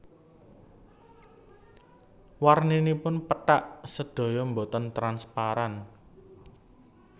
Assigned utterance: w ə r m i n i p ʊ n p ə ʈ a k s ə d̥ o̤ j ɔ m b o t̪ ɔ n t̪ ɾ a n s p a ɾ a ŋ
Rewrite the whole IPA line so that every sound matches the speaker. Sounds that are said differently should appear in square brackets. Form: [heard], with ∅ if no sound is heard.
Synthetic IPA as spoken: w [a] r [n] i n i p ʊ n p ə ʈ a [ʔ] s ə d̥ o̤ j ɔ m b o t̪ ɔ n t̪ ɾ a n s p a ɾ a [n]

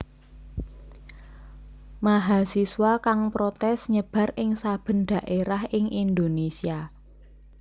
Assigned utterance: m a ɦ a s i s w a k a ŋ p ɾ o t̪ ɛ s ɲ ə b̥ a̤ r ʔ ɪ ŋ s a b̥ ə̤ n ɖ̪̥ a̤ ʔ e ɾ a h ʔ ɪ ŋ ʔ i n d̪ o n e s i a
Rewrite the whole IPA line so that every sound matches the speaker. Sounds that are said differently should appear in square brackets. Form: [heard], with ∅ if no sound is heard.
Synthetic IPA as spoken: m a ɦ a s i s w a k a ŋ p ɾ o t̪ ɛ s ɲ ə b̥ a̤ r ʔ ɪ ŋ s a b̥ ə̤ n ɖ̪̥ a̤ ʔ e ɾ a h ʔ ɪ ŋ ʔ i n d̪ o n e s i a

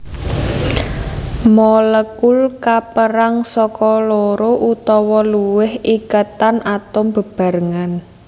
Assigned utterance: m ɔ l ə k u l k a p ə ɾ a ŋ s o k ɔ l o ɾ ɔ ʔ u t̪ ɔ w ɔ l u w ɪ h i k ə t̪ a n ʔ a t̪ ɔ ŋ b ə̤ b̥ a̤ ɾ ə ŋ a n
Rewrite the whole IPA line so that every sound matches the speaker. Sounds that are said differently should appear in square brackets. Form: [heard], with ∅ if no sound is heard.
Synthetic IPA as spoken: m ɔ l ə k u l k a p ə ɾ a ŋ s [ɔ] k ɔ l o ɾ [o] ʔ u t̪ ɔ w ɔ l u w ɪ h i k ə t̪ a n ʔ a t̪ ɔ [m] b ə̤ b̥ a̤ ɾ ə ŋ a n

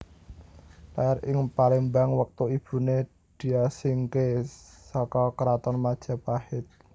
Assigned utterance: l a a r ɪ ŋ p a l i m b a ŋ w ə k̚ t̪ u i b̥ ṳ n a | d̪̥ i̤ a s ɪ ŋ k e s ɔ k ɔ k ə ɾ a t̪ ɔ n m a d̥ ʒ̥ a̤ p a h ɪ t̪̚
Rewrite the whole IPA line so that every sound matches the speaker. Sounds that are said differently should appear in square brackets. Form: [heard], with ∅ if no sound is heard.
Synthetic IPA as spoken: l a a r ɪ ŋ p a l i m b a ŋ w ə k̚ t̪ u i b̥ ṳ n [e] | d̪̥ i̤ a s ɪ ŋ k e s ɔ k ɔ k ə ɾ a t̪ ɔ n m a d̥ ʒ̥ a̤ p a h ɪ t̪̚

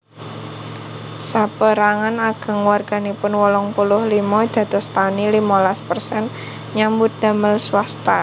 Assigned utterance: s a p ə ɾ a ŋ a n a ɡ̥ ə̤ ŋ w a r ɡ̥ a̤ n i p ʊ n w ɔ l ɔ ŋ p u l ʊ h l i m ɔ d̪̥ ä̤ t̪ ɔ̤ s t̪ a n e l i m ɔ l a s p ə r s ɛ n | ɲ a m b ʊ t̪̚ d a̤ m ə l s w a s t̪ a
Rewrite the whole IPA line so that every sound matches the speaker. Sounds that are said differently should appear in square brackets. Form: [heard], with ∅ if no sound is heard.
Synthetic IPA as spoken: s a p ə ɾ a ŋ a n a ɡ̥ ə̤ ŋ w a r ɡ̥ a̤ n i p ʊ n w ɔ l ɔ ŋ p u l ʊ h l i m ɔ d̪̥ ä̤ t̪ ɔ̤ s t̪ a n [i] l i m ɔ l a s p ə r s ɛ n | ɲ a m b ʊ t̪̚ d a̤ m ə l s w a s t̪ a

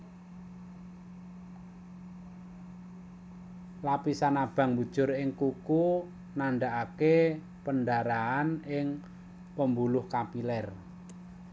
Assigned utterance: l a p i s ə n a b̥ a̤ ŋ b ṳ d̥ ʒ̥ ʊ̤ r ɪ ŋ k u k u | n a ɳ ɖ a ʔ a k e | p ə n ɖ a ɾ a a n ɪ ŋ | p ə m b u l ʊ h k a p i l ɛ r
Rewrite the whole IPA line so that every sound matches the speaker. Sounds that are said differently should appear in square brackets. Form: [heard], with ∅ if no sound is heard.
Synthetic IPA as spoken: l a p i s [a] n a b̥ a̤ ŋ b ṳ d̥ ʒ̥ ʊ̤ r ɪ ŋ k u k u | n a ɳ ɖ a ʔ a k e | p ə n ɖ a ɾ a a n ɪ ŋ | p ə m b u l ʊ h k a p i l ɛ r

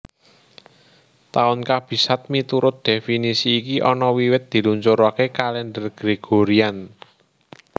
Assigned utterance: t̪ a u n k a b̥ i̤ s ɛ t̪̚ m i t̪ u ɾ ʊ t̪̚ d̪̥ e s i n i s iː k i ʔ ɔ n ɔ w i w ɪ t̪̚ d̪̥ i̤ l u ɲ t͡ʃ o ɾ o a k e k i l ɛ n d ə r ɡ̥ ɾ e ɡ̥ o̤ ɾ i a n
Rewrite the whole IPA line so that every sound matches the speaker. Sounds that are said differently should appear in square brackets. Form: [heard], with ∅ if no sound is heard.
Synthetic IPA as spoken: t̪ a [ʊ] n k a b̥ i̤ s [a] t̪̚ m i t̪ u ɾ ʊ t̪̚ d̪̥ e [f] i n i s iː k i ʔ ɔ n ɔ w i w ɪ t̪̚ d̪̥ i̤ l u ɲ t͡ʃ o ɾ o a k e k [a] l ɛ n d ə r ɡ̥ ɾ e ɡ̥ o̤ ɾ i a n

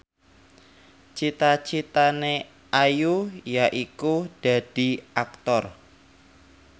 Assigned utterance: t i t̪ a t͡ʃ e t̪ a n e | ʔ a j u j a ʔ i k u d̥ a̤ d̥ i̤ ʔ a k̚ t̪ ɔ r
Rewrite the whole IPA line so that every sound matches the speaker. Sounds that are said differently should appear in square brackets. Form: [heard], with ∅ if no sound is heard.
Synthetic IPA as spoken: [t͡ʃ] i t̪ a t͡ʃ [i] t̪ a n e | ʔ a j u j a ʔ i k u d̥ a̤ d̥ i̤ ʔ a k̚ t̪ ɔ r

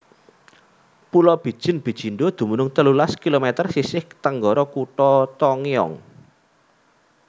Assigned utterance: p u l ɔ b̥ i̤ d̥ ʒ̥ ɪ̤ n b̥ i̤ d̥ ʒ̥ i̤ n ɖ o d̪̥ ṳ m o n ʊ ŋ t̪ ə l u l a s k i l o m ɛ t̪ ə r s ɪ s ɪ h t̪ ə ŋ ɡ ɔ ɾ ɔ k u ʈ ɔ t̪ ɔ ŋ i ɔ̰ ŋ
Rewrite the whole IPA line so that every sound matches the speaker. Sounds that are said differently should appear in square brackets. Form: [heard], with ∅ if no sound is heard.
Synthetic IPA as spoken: p u l ɔ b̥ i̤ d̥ ʒ̥ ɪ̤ n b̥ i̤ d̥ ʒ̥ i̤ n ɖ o d̪̥ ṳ m [u] n ʊ ŋ t̪ ə l u l a s k i l o m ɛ t̪ ə r s [i] s ɪ h t̪ ə ŋ ɡ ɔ ɾ ɔ k u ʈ ɔ t̪ ɔ ŋ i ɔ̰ ŋ

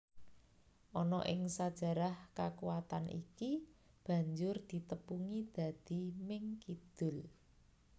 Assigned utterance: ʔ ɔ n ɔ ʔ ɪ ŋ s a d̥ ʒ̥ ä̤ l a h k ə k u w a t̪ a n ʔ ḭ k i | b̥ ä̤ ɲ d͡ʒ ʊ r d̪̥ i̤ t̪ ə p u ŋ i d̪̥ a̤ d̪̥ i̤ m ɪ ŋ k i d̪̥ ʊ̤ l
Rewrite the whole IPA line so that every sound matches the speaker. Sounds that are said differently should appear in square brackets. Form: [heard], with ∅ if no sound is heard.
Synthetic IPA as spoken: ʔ ɔ n ɔ ʔ ɪ ŋ s a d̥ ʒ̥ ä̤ [ɾ] a h k [a] k u w a t̪ a n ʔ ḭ k i | b̥ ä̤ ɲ d͡ʒ ʊ r d̪̥ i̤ t̪ ə p u ŋ i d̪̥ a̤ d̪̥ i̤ m ɪ ŋ k i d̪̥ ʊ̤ l

